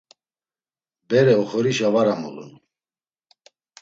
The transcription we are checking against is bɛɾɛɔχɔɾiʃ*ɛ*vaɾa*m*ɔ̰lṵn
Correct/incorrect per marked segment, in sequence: incorrect: a, correct

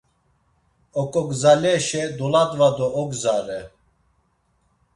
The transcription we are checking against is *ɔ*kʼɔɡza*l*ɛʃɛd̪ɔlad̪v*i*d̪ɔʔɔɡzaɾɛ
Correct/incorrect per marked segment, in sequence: correct, correct, incorrect: a

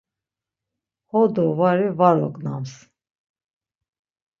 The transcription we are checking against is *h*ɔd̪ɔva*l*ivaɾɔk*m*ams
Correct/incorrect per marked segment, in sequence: correct, incorrect: ɾ, incorrect: n

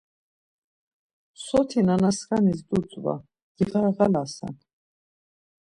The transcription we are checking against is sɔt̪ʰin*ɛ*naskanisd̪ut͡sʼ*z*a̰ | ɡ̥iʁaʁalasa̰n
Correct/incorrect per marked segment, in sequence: incorrect: a, incorrect: v

